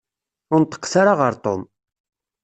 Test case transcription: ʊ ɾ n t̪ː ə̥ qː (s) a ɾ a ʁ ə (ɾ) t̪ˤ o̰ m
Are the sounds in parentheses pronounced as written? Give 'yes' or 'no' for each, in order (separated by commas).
yes, yes